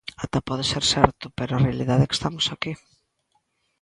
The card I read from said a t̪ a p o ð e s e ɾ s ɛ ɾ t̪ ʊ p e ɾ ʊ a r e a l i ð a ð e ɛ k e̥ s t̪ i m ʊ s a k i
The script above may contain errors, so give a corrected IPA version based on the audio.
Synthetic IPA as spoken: a t̪ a p ɔ ð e s e ɾ s ɛ ɾ t̪ ʊ p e ɾ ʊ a r e a l i ð a ð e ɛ k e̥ s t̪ a m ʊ s a k i

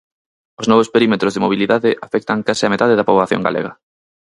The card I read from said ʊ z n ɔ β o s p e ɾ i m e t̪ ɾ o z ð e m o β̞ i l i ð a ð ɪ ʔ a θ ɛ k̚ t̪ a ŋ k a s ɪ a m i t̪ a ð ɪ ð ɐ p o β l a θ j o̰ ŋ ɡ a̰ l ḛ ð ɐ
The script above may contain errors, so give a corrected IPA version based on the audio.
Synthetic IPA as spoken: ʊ z n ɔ β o s p e ɾ i m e t̪ ɾ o z ð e m o β̞ i l i ð a ð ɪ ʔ a f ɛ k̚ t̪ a ŋ k a s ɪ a m e t̪ a ð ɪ ð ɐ p o β l a θ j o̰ ŋ ɡ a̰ l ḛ ɣ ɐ

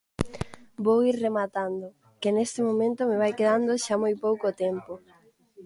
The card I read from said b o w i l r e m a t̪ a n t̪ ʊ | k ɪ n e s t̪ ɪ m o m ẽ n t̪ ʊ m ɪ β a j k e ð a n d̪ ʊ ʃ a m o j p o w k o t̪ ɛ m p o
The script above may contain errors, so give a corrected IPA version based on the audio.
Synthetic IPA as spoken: b o w i ɾ r e m a t̪ a n d̪ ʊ | k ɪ n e s t̪ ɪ m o m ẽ n t̪ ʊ m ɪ β a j k e ð a n d̪ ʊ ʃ a m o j p o w k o t̪ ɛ m p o

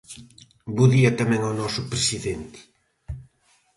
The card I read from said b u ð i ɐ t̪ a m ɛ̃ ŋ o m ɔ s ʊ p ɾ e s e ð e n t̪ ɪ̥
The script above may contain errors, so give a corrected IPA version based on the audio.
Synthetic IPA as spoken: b u ð i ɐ t̪ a m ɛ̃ ŋ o n ɔ s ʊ p ɾ e s i ð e n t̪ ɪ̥

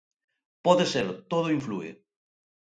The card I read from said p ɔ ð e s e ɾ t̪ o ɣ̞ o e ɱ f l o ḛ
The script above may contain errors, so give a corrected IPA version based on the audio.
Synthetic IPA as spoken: p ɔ ð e s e ɾ t̪ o ð̞ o i ɱ f l u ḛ

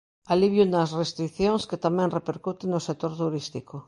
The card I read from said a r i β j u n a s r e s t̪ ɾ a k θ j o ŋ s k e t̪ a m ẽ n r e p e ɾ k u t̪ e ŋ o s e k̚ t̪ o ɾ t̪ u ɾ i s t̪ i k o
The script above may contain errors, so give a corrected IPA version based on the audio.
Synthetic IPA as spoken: a l i β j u n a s r e s t̪ ɾ i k θ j o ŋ s k e t̪ a m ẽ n r e p e ɾ k u t̪ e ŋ o s e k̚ t̪ o ɾ t̪ u ɾ i s t̪ i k o

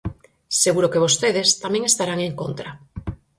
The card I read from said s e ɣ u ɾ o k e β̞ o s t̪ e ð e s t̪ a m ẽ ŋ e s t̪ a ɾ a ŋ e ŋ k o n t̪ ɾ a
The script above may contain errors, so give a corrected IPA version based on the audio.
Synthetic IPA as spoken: s e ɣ u ɾ o k e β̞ o s t̪ e ð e s t̪ a m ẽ ŋ e s t̪ a ɾ a ŋ e ŋ k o n t̪ ɾ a

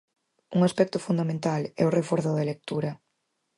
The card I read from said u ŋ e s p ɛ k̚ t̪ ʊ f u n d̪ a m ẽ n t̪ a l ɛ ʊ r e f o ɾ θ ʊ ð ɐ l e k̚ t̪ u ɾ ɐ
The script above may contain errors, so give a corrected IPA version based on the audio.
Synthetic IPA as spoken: u ŋ a s p ɛ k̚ t̪ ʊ f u n d̪ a m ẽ n t̪ a l ɛ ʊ r e f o ɾ θ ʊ ð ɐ l e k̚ t̪ u ɾ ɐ

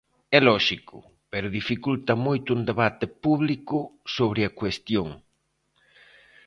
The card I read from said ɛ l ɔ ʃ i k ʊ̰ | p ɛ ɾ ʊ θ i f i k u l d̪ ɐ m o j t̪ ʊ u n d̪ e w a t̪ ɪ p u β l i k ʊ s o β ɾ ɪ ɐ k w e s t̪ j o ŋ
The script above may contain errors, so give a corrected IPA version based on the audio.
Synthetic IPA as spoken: ɛ l ɔ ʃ i k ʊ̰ | p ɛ ɾ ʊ ð i f i k u l t̪ ɐ m o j t̪ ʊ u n d̪ e β a t̪ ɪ p u β l i k ʊ s o β ɾ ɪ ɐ k w e s t̪ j o ŋ

